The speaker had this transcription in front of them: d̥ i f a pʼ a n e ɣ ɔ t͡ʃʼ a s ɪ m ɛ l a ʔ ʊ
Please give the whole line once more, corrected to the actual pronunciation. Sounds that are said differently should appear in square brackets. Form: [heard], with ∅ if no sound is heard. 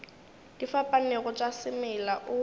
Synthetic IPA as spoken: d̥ i f a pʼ a n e ɣ ɔ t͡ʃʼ a s ɪ m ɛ l a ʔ ʊ